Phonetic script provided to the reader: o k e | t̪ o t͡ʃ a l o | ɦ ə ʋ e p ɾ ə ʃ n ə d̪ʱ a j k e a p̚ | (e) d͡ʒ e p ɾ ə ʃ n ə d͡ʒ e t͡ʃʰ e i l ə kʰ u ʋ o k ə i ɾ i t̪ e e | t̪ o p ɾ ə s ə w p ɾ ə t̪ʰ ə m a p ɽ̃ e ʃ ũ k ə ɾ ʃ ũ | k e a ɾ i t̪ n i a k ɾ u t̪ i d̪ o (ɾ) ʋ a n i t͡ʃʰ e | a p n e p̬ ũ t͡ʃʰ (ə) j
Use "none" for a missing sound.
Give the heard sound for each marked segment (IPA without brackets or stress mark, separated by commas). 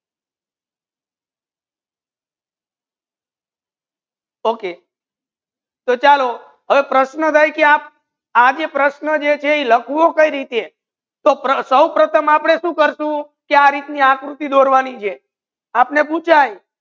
a, ɾ, a